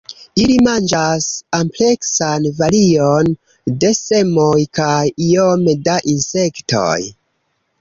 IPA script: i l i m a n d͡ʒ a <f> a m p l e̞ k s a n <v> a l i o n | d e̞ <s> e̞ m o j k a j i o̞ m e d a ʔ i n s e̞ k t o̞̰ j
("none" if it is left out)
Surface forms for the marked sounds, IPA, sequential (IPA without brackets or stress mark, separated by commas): s, v, s